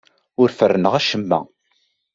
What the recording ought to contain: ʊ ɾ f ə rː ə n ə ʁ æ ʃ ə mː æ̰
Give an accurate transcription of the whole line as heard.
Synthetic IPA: ʊ ɾ f ə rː ə n ə ʁ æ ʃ ə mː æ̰